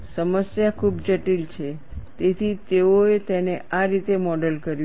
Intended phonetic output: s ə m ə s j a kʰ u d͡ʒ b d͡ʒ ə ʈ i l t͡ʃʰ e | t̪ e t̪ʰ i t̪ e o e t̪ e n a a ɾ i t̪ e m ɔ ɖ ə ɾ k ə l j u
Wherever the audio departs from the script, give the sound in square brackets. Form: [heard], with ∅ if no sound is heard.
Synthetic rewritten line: s ə m ə s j a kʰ u [∅] b d͡ʒ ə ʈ i l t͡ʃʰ e | t̪ e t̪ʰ i t̪ e o e t̪ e n [e] a ɾ i t̪ e m ɔ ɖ ə [l] k ə [ɾ] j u